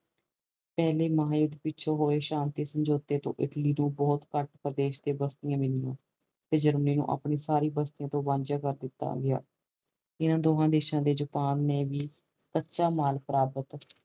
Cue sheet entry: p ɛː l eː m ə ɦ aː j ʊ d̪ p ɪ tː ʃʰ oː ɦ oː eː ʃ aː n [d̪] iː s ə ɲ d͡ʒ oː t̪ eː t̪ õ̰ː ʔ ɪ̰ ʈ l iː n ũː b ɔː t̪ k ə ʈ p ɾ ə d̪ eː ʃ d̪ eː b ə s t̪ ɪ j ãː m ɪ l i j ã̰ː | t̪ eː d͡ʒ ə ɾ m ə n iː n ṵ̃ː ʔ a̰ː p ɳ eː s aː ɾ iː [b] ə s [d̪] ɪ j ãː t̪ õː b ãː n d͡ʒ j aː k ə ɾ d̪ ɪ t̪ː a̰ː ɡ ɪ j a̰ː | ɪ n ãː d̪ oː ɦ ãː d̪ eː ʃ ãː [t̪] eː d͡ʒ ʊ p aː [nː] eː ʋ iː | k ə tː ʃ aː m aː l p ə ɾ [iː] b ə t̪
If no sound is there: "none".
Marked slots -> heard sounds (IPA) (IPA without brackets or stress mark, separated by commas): t̪, b, t̪, d̪, nː, aː